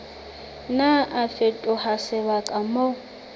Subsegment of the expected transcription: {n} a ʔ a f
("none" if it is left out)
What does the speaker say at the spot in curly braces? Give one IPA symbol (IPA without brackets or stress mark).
n